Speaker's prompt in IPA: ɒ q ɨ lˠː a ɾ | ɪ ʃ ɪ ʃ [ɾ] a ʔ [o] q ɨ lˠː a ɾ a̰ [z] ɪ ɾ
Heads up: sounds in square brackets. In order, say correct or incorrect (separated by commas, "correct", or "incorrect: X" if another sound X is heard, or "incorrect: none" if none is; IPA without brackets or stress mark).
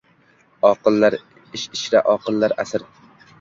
correct, incorrect: ɒ, incorrect: s